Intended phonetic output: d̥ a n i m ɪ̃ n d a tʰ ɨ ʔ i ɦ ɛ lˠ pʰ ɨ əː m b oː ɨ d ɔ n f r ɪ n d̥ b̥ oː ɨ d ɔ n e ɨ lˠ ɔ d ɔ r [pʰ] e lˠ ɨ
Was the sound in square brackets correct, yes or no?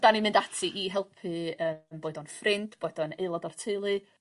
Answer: no